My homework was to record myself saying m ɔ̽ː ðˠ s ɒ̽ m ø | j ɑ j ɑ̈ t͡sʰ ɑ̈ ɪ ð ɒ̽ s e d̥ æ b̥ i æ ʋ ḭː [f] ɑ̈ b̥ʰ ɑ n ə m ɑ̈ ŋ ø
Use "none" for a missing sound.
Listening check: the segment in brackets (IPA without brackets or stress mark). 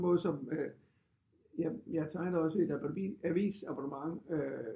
s